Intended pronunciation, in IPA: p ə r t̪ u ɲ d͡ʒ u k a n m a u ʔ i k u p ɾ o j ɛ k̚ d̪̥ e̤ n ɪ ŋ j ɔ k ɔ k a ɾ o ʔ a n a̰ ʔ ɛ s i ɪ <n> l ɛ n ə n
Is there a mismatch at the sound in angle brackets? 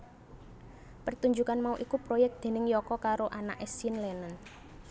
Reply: no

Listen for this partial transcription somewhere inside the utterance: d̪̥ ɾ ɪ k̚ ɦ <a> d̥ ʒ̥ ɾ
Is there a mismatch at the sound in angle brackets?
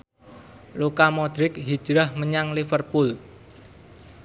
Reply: yes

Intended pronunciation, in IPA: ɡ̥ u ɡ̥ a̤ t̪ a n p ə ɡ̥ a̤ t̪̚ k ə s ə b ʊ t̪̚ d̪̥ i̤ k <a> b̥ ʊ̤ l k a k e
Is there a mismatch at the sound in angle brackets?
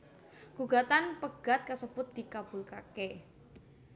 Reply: no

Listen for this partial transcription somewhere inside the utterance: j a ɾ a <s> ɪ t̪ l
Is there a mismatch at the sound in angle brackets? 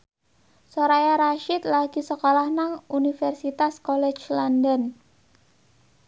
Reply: yes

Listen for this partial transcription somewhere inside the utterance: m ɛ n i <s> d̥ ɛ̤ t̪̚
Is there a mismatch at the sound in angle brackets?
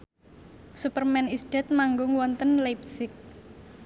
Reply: no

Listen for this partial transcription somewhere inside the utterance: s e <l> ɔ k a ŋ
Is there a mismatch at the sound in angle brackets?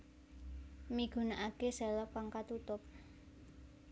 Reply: no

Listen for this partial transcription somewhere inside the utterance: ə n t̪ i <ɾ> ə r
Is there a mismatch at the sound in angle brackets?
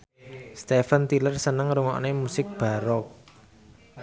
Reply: yes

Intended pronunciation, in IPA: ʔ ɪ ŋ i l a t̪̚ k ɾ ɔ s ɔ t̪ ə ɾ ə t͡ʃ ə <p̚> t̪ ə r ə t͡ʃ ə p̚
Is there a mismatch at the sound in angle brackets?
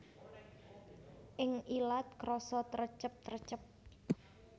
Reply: no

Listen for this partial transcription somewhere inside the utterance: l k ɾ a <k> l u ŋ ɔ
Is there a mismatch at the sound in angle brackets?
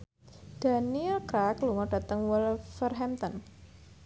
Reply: no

